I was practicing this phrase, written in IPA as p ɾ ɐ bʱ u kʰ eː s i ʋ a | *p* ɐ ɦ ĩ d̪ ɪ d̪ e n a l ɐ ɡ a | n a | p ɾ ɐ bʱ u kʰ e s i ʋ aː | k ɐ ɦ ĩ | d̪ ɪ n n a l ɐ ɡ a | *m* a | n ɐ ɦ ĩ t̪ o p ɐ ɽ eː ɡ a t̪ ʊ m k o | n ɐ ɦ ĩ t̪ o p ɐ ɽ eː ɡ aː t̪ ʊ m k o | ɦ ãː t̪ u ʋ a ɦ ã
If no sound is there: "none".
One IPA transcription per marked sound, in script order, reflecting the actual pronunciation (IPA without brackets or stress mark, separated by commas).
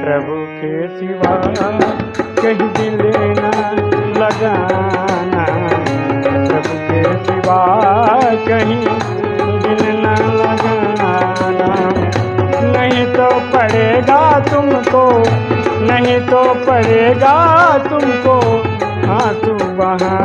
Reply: k, n